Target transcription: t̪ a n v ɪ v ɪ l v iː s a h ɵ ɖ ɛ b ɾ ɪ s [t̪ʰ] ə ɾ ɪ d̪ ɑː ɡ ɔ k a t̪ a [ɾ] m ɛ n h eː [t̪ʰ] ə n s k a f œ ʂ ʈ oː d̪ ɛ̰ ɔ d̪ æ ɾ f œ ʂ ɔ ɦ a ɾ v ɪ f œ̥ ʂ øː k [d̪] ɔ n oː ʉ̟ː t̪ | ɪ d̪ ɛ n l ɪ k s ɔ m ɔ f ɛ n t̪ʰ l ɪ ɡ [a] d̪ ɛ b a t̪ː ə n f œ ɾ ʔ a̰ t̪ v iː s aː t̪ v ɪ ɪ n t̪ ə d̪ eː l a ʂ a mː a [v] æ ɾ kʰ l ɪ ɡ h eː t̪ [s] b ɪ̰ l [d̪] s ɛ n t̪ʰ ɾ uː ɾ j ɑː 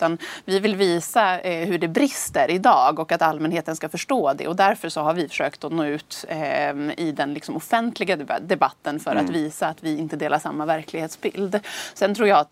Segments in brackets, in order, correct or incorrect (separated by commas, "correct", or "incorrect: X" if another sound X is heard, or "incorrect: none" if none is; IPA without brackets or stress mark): incorrect: t̪, incorrect: l, incorrect: t̪, incorrect: t̪, correct, correct, correct, correct